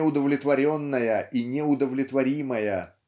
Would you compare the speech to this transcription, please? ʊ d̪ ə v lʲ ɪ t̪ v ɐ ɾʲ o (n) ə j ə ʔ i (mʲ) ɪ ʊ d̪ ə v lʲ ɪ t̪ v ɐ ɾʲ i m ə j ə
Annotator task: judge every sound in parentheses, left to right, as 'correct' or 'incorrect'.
incorrect: nː, incorrect: nʲ

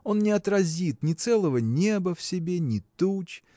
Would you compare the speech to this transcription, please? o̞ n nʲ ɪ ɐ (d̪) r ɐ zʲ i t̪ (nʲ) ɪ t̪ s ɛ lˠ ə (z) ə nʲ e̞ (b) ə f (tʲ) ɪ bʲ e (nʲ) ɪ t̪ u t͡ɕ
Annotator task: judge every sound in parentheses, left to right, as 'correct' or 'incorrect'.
incorrect: t̪, correct, incorrect: v, correct, incorrect: sʲ, correct

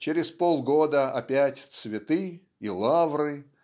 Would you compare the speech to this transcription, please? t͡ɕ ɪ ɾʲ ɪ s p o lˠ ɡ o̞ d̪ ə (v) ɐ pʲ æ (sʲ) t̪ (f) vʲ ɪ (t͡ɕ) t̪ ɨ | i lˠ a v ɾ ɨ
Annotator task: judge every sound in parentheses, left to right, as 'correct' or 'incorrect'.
incorrect: none, incorrect: tʲ, incorrect: s, incorrect: none

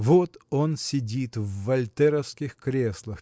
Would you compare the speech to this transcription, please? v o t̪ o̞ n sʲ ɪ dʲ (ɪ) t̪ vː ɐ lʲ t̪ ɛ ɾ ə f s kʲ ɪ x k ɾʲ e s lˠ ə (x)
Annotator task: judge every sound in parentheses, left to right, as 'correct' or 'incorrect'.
incorrect: i, correct

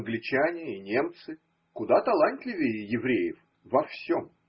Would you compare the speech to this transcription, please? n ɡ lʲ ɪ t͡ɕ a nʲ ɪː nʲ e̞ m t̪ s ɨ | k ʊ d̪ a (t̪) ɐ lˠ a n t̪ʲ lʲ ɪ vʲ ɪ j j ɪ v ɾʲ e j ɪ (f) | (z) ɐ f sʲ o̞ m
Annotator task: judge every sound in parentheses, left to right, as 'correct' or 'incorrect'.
correct, correct, incorrect: v

